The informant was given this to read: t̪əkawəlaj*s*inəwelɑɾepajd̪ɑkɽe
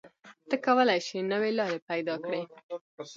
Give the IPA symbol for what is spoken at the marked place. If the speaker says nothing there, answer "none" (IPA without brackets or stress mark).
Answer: ʃ